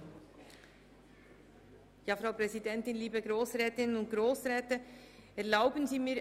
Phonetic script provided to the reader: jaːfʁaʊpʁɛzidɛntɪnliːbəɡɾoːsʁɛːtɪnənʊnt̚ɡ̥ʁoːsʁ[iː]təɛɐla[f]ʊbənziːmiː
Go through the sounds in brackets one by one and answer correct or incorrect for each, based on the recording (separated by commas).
incorrect, incorrect